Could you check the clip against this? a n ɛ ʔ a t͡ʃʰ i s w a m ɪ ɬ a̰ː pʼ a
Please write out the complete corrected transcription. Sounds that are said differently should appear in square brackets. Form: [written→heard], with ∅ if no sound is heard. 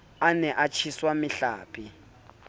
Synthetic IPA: a n ɛ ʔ a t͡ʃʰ i s w a m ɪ ɬ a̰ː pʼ [a→i]